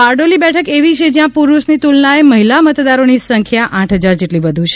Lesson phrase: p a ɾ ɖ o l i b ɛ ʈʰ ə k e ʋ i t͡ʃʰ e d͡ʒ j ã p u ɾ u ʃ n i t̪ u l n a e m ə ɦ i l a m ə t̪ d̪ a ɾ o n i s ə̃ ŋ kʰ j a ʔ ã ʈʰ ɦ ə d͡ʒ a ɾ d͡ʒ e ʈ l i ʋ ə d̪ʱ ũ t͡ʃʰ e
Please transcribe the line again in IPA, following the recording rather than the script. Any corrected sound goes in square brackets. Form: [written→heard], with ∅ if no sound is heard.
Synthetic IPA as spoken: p a ɾ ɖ o l i b ɛ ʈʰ ə k e ʋ i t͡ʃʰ e d͡ʒ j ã p u ɾ u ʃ n i t̪ u l n a e m ə ɦ i l a m ə t̪ d̪ a ɾ o n i s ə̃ ŋ kʰ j a ʔ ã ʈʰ ɦ ə d͡ʒ a ɾ d͡ʒ e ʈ l i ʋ ə d̪ʱ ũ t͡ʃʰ e

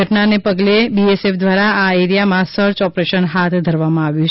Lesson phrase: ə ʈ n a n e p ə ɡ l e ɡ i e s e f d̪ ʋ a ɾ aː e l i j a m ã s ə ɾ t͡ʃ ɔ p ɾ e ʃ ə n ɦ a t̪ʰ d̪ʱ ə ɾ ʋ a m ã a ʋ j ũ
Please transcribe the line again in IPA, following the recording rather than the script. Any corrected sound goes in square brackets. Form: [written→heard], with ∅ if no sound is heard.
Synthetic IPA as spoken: ə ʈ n a n e p ə ɡ l e [ɡ→b] i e s e f d̪ ʋ a ɾ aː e [l→ɾ] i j a m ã s ə ɾ t͡ʃ ɔ p ɾ e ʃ ə n ɦ a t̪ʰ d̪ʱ ə ɾ ʋ a m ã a ʋ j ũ

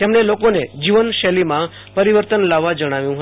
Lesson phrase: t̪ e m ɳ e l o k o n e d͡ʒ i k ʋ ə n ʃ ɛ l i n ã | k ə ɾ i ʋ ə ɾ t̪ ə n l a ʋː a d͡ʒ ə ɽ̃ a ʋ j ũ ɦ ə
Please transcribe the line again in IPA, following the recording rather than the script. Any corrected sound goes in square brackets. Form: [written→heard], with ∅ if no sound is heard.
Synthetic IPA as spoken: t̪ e m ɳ e l o k o n e d͡ʒ i [k→∅] ʋ ə n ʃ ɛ l i [n→m] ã | [k→p] ə ɾ i ʋ ə ɾ t̪ ə n l a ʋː a d͡ʒ ə ɽ̃ a ʋ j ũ ɦ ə

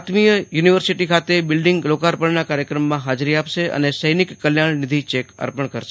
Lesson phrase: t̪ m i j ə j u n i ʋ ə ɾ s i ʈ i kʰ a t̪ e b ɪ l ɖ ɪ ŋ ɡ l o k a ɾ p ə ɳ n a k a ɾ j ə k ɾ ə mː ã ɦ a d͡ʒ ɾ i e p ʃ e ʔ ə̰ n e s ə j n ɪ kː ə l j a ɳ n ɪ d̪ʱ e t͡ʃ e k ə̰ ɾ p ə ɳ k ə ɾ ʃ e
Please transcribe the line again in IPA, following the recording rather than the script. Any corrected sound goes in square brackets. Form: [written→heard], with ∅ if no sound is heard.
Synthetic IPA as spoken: t̪ m i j ə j u n i ʋ ə ɾ s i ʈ i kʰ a t̪ e b ɪ l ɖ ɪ ŋ ɡ l o k a ɾ p ə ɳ n a k a ɾ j ə k ɾ ə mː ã ɦ a d͡ʒ ɾ i [e→a] p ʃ e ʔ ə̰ n e s ə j n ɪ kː ə l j a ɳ n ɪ d̪ʱ [e→i] t͡ʃ e k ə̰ ɾ p ə ɳ k ə ɾ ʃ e

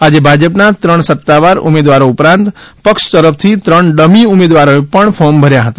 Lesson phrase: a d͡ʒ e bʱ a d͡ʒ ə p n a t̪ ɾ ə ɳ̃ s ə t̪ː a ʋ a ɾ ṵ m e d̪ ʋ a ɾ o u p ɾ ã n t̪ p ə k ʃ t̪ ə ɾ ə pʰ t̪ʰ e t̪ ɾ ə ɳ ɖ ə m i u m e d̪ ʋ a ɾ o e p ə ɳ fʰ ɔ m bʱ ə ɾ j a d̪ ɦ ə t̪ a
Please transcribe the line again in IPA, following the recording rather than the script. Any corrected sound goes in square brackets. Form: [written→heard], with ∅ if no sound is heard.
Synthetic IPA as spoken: a d͡ʒ e bʱ a d͡ʒ ə p n a t̪ ɾ ə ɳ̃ s ə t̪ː a ʋ a ɾ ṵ m e d̪ ʋ a ɾ o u p ɾ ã n t̪ p ə k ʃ t̪ ə ɾ ə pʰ t̪ʰ [e→i] t̪ ɾ ə ɳ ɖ ə m i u m e d̪ ʋ a ɾ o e p ə ɳ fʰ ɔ m bʱ ə ɾ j a [d̪→∅] ɦ ə t̪ a

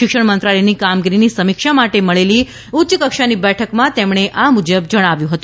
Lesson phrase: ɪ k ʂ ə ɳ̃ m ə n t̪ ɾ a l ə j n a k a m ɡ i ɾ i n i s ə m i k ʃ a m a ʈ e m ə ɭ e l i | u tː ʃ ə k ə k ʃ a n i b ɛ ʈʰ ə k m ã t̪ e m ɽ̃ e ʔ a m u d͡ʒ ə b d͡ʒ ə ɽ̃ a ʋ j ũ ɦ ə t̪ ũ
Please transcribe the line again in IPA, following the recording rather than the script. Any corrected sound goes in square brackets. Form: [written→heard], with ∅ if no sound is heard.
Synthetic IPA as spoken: ɪ k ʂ ə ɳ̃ m ə n t̪ ɾ a l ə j n [a→i] k a m ɡ i ɾ i n i s ə m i k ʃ a m a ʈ e m ə ɭ e l i | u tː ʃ ə k ə k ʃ a n i b ɛ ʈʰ ə k m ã t̪ e m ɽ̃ e ʔ a m u d͡ʒ ə b d͡ʒ ə ɽ̃ a ʋ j ũ ɦ ə t̪ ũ

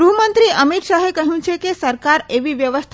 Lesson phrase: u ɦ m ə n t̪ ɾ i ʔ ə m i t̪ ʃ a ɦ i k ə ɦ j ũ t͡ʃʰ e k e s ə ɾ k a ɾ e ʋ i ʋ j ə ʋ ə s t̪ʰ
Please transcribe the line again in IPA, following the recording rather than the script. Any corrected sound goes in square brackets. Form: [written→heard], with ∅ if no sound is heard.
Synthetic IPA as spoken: u ɦ m ə n t̪ ɾ i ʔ ə m i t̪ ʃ a ɦ [i→e] k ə ɦ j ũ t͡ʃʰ e k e s ə ɾ k a ɾ e ʋ i ʋ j ə ʋ ə s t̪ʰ

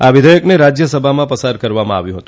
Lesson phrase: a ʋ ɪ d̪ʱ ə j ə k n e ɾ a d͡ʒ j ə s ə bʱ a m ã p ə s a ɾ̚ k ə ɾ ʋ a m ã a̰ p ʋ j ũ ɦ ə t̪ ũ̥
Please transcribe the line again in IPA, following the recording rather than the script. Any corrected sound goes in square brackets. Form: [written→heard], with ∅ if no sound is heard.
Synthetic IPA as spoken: a ʋ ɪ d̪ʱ ə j ə k n e ɾ a d͡ʒ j ə s ə bʱ a m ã p ə s a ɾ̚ k ə ɾ ʋ a m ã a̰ [p→∅] ʋ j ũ ɦ ə t̪ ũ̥

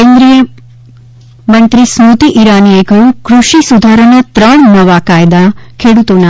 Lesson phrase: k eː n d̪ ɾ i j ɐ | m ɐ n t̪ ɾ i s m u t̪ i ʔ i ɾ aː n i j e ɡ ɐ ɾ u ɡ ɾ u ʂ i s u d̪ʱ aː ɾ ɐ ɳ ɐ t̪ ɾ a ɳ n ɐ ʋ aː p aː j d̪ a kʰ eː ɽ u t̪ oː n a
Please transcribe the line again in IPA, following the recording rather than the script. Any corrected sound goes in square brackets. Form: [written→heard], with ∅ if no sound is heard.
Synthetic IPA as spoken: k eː n d̪ ɾ i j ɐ | m ɐ n t̪ ɾ i s m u t̪ i ʔ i ɾ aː n i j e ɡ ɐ ɾ u [ɡ→k] ɾ u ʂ i s u d̪ʱ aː ɾ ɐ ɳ ɐ t̪ ɾ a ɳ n ɐ ʋ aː [p→k] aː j d̪ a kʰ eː ɽ u t̪ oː n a

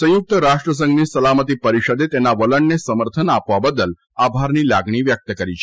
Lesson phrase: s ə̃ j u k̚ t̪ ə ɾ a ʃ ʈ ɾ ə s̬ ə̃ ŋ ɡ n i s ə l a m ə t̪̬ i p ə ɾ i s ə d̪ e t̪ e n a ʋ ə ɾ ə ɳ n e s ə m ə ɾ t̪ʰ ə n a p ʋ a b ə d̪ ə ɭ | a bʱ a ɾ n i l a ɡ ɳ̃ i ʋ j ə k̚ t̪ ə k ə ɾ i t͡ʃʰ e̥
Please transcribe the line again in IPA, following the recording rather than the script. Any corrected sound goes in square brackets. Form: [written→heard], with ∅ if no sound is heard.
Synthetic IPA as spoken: s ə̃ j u k̚ t̪ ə ɾ a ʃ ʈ ɾ ə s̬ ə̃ ŋ ɡ n i s ə l a m ə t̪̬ i p ə ɾ i [s→ʃ] ə d̪ e t̪ e n a ʋ ə [ɾ→l] ə ɳ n e s ə m ə ɾ t̪ʰ ə n a p ʋ a b ə d̪ ə [ɭ→l] | a bʱ a ɾ n i l a ɡ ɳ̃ i ʋ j ə k̚ t̪ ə k ə ɾ i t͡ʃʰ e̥

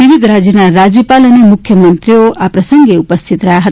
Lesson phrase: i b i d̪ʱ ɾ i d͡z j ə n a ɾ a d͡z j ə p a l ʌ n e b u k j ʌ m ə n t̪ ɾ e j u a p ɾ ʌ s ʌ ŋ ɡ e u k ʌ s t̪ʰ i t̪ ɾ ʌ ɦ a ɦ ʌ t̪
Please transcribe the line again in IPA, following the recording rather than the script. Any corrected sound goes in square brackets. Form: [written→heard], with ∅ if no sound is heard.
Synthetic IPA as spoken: i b i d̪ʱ ɾ [i→a] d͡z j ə n a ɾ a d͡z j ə p a l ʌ n e [b→m] u [k→kʰ] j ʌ m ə n t̪ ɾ [e→i] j [u→o] a p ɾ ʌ s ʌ ŋ ɡ e u [k→p] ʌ s t̪ʰ i t̪ ɾ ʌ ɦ a ɦ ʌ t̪

